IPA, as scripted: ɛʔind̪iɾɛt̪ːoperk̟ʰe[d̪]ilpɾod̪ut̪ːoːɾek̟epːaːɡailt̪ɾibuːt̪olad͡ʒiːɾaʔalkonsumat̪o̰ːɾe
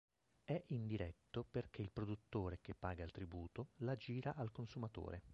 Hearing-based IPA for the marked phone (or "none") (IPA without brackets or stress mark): none